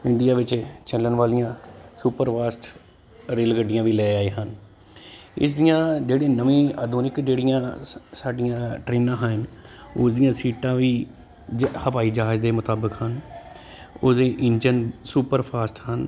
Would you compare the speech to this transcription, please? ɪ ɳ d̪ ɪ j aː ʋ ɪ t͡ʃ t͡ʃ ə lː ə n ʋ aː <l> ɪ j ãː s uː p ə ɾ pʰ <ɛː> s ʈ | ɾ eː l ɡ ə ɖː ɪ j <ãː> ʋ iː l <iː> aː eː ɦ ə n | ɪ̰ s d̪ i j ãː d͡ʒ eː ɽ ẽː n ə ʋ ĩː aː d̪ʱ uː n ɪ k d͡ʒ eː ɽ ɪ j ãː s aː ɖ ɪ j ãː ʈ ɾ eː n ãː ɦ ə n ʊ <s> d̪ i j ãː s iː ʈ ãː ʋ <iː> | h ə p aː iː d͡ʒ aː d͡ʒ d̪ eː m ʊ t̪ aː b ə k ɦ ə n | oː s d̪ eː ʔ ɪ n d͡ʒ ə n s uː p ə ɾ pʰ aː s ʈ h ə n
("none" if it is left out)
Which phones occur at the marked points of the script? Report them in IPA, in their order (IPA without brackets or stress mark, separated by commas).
l, aː, ãː, ɛː, s, iː